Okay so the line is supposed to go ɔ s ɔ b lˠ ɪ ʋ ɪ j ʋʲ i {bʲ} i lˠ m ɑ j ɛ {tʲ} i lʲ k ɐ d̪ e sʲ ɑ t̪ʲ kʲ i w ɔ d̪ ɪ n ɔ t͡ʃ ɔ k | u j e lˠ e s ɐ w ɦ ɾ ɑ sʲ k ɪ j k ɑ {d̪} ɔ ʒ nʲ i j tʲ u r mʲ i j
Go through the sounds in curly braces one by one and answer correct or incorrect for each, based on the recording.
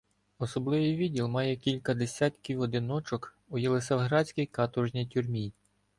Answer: incorrect: dʲ, incorrect: kʲ, incorrect: t̪

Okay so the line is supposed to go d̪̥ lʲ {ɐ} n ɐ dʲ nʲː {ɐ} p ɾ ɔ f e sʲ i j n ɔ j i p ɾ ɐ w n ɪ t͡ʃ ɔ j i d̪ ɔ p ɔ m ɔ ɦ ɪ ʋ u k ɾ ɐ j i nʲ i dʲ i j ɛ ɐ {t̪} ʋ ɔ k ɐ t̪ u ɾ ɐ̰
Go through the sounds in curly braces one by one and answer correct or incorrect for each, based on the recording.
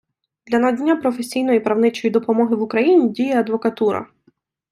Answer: correct, incorrect: a, incorrect: d̪

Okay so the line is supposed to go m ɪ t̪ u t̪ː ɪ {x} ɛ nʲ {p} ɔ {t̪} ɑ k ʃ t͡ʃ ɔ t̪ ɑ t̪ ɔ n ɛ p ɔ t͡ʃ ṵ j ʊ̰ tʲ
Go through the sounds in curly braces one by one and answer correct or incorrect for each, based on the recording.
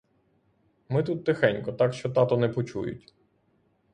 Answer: correct, incorrect: k, correct

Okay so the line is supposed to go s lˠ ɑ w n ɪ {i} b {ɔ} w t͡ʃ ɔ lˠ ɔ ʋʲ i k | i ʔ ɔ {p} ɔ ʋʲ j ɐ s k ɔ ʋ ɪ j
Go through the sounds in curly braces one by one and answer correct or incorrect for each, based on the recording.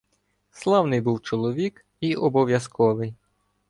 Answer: incorrect: j, incorrect: u, incorrect: b

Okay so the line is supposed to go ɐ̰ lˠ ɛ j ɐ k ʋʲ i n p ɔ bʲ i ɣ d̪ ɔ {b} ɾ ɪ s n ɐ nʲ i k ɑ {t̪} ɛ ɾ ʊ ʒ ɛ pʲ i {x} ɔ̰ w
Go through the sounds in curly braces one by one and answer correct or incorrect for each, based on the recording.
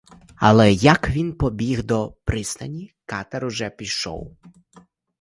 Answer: incorrect: p, correct, incorrect: ʃ

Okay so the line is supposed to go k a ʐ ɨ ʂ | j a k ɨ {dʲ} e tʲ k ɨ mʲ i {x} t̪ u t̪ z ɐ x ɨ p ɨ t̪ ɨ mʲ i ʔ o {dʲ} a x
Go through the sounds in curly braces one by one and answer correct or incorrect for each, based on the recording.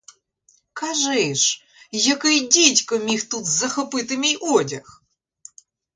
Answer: correct, correct, correct

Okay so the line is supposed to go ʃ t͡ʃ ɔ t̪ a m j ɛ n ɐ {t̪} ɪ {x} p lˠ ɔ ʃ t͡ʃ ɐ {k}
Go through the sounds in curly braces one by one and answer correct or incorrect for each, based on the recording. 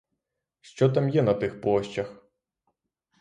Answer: correct, correct, incorrect: x

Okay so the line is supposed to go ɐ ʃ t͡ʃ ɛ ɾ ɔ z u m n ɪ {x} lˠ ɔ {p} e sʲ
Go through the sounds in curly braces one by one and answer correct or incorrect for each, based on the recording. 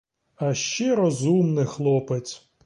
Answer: correct, correct

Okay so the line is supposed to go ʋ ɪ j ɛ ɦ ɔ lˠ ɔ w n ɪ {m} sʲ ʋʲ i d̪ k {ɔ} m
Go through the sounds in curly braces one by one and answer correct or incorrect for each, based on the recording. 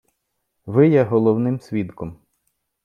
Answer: correct, correct

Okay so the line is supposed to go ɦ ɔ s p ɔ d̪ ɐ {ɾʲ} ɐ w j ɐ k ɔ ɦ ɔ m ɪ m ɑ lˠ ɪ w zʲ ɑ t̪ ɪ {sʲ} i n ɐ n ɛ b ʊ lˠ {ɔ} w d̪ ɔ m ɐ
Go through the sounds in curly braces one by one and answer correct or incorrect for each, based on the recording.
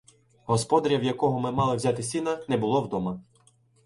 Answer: correct, correct, correct

